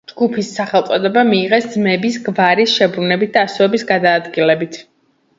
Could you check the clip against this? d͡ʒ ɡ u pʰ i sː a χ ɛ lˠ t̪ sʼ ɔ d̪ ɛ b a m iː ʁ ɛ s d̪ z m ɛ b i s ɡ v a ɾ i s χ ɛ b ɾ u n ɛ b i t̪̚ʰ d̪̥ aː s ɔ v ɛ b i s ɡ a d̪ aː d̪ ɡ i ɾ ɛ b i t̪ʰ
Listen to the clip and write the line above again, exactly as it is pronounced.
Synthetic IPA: d͡ʒ ɡ u pʰ i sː a χ ɛ lˠ t̪ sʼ ɔ d̪ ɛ b a m iː ʁ ɛ s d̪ z m ɛ b i s ɡ v a ɾ i s ʃ ɛ b ɾ u n ɛ b i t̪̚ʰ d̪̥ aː s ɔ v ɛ b i s ɡ a d̪ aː d̪ ɡ i l ɛ b i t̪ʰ